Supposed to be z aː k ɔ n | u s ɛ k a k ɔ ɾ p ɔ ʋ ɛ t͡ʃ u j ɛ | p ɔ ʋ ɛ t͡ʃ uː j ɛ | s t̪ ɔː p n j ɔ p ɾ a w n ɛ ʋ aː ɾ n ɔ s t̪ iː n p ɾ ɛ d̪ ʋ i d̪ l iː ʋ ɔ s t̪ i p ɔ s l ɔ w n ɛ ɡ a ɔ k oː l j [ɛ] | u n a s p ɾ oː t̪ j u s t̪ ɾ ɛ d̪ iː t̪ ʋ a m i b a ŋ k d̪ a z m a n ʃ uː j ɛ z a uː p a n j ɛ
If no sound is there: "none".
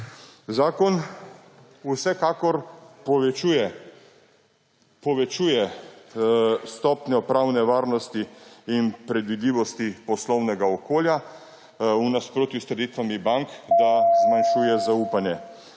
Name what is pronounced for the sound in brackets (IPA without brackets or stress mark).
a